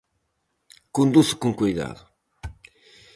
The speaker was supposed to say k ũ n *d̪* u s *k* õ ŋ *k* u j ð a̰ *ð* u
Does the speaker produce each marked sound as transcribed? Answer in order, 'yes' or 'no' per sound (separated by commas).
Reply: yes, yes, yes, yes